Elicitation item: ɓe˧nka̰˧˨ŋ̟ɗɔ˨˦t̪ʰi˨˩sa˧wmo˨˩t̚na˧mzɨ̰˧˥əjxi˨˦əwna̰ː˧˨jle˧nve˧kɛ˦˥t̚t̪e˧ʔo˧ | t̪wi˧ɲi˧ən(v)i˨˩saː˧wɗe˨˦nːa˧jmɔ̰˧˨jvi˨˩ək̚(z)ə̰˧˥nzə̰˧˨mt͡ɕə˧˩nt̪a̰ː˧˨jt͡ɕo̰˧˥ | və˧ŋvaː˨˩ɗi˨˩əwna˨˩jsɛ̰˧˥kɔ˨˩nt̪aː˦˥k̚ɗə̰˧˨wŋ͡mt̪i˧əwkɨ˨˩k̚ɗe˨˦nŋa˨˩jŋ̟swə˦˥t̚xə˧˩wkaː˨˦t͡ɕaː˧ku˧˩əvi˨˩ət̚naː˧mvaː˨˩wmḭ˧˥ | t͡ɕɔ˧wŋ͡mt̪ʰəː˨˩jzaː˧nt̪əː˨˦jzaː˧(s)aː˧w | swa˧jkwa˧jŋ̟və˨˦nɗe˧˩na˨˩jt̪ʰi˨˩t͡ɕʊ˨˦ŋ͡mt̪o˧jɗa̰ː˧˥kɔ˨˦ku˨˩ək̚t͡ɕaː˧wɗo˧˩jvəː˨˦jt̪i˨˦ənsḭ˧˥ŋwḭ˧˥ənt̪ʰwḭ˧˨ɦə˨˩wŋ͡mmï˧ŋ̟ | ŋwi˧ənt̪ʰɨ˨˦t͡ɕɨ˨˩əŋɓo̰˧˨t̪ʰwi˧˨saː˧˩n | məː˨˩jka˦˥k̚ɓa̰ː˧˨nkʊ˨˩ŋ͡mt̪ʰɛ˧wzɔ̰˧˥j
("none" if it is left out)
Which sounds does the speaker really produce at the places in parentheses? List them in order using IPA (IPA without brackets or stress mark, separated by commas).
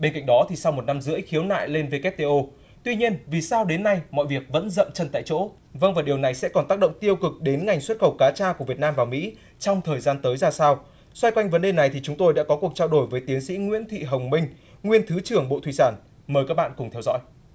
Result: v, v, s